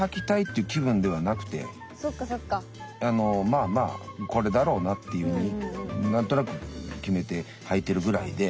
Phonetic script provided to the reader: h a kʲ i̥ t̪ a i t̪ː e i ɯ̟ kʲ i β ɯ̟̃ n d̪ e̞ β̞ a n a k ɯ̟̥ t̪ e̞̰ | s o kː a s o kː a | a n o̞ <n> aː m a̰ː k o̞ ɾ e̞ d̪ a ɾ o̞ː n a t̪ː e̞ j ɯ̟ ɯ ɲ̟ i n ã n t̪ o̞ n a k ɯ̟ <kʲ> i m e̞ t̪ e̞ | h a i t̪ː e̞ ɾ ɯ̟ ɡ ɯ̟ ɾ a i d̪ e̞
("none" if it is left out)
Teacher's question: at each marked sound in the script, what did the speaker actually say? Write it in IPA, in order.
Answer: m, kʲ

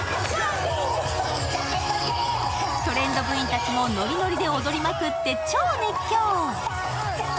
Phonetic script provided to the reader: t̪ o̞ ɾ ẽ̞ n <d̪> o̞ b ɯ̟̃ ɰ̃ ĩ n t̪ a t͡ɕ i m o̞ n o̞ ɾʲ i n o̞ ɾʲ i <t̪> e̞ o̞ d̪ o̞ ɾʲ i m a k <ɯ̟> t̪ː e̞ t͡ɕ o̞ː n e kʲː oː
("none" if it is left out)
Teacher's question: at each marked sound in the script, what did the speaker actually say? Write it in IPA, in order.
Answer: d̪, d̪, ɯ̟

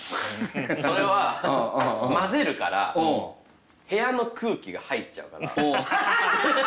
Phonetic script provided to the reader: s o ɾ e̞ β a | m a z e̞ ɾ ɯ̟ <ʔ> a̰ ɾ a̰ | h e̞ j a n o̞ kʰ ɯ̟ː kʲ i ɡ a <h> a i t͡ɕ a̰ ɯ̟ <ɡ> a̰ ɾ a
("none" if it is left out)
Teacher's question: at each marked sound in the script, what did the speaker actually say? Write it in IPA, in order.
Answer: k, h, k

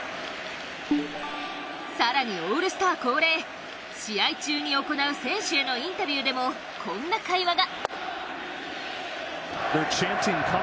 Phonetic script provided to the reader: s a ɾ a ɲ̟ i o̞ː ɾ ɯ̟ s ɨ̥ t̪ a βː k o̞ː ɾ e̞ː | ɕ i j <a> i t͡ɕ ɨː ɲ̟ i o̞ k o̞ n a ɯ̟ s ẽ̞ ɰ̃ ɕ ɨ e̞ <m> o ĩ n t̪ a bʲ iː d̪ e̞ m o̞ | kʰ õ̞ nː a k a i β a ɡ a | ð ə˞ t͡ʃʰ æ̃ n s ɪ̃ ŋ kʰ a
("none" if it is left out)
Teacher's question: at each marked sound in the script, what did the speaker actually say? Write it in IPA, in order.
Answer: a, n

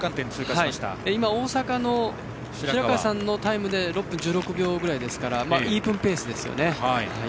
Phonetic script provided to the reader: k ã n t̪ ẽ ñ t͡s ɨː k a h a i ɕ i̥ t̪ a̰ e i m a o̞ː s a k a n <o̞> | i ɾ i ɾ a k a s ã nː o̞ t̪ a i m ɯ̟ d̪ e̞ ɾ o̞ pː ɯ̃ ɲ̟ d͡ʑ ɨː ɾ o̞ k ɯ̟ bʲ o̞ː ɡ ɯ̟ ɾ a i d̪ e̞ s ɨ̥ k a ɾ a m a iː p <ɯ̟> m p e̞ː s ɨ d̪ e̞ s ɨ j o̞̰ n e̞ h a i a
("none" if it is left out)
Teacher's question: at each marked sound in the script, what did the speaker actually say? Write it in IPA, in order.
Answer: o̞, ɯ̟̃

